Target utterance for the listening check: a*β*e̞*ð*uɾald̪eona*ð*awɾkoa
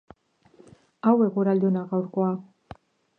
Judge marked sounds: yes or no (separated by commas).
no, no, no